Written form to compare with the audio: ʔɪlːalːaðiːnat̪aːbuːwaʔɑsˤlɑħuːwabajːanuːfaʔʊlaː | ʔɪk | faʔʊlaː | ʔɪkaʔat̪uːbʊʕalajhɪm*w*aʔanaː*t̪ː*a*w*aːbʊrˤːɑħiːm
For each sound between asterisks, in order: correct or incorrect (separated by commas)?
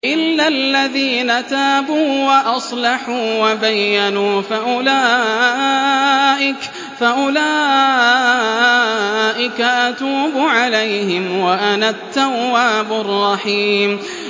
correct, correct, incorrect